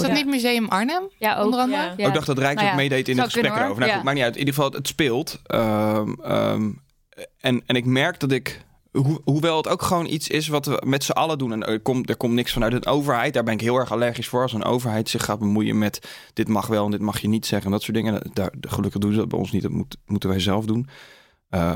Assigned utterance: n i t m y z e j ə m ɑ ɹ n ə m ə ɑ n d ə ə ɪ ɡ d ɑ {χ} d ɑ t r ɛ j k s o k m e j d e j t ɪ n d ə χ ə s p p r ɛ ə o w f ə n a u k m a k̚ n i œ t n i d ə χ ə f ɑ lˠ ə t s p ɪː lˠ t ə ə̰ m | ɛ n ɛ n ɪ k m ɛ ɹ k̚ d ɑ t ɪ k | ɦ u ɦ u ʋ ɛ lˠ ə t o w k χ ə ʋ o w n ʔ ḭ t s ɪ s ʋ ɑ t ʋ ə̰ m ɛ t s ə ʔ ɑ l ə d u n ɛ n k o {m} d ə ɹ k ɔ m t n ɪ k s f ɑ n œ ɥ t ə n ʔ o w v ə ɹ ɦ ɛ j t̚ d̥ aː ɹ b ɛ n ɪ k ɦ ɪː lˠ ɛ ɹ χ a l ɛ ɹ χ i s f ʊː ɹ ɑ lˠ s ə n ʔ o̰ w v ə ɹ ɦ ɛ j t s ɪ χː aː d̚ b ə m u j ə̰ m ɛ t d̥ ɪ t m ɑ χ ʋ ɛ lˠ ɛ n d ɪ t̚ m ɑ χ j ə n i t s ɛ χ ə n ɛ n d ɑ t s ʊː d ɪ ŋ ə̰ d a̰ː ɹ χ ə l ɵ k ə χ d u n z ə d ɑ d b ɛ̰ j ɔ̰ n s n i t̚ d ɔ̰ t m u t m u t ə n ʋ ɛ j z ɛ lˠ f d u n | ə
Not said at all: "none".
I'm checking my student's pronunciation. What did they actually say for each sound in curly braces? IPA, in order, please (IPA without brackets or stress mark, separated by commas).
χ, m